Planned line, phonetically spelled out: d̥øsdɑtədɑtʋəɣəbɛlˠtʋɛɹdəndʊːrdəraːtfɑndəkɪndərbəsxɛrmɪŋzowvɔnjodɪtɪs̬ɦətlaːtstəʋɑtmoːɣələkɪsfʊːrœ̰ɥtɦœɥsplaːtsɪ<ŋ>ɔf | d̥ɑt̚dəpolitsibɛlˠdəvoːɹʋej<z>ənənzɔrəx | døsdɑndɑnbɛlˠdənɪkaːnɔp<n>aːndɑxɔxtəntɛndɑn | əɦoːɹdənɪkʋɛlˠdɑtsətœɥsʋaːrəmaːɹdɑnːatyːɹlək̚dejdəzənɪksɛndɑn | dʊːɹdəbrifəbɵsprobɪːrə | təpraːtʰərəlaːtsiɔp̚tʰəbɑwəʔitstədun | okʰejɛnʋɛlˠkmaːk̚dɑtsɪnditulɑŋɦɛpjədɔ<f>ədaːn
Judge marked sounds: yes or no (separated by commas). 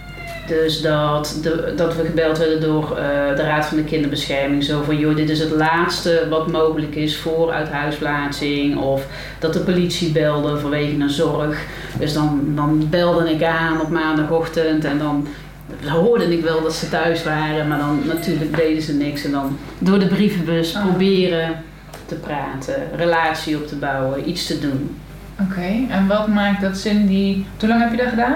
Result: yes, no, no, no